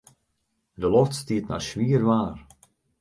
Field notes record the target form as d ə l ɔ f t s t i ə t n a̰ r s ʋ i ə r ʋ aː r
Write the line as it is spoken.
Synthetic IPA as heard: d ə l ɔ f t s t i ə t n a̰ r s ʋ i ə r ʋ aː r